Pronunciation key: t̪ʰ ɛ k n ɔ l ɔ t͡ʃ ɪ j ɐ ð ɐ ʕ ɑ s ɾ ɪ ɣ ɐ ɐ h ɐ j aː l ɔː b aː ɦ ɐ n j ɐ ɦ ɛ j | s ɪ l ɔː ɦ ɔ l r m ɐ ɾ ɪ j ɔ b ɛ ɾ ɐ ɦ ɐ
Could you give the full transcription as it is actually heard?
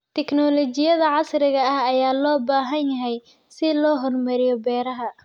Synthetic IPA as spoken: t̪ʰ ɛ k n ɔ l ɔ t͡ʃ ɪ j ɐ ð ɐ ʕ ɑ s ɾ ɪ ɣ ɐ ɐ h ɐ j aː l ɔː b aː ɦ ɐ n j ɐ ɦ ɛ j | s ɪ l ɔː ɦ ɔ r m ɐ ɾ ɪ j ɔ b ɛː ɾ ɐ ɦ ɐ